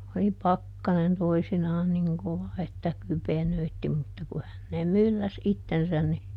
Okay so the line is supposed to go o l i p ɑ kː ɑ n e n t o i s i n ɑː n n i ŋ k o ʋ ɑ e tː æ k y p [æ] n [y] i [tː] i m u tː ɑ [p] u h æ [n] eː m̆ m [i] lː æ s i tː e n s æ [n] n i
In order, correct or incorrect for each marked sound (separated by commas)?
incorrect, incorrect, correct, incorrect, incorrect, incorrect, correct